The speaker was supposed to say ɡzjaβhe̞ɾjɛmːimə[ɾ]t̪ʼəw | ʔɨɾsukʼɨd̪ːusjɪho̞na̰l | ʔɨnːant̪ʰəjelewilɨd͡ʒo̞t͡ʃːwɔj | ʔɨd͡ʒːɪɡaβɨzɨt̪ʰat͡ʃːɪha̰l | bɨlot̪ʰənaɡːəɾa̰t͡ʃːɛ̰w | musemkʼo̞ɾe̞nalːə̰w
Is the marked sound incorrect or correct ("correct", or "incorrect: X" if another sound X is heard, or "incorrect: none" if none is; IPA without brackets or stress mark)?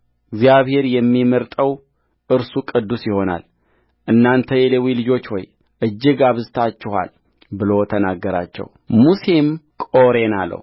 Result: correct